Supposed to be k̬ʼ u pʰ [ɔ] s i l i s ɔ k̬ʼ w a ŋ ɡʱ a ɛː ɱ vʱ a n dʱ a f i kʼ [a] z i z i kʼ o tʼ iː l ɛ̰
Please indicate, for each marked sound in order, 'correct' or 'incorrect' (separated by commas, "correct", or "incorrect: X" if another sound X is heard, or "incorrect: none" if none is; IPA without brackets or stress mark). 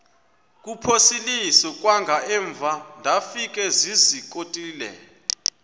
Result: incorrect: o, incorrect: ɛ